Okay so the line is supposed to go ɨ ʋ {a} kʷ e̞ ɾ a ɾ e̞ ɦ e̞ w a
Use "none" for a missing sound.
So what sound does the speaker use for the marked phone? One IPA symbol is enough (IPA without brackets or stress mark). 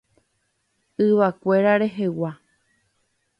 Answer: a